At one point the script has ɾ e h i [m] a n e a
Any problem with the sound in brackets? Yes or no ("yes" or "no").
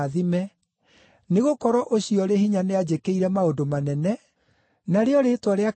yes